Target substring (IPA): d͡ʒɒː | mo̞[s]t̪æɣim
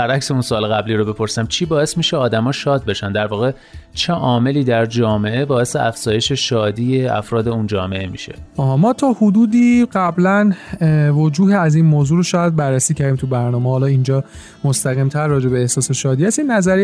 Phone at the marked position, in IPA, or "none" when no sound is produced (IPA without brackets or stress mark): s